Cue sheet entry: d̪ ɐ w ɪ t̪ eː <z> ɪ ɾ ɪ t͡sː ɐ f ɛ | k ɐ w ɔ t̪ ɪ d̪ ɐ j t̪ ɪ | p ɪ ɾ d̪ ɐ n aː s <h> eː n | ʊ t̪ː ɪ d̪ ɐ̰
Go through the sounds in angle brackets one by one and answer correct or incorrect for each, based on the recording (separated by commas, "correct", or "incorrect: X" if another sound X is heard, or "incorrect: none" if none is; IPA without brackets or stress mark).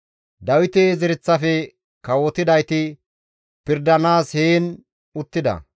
correct, correct